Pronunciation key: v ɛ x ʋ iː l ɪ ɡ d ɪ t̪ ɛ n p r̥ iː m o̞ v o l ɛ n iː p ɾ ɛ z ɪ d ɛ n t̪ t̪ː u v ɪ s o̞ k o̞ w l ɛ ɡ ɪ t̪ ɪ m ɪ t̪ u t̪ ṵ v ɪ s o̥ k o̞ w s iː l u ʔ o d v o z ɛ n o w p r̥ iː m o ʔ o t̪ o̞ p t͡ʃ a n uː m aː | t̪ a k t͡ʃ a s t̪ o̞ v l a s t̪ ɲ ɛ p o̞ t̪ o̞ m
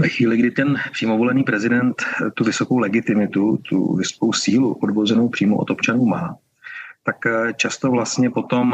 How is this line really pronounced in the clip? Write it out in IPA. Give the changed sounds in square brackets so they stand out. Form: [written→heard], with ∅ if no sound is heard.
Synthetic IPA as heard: v ɛ x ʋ iː l ɪ ɡ d ɪ t̪ ɛ n p r̥ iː m o̞ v o l ɛ n iː p ɾ ɛ z ɪ d ɛ n t̪ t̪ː u v ɪ s o̞ k o̞ w l ɛ ɡ ɪ t̪ ɪ m ɪ t̪ u t̪ ṵ v ɪ s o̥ k o̞ w s iː l u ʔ o d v o z ɛ n o w p r̥ iː m o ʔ o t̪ o̞ p t͡ʃ a n uː m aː | t̪ a k t͡ʃ a s t̪ o̞ v l a s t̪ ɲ ɛ p o̞ t̪ o̞ m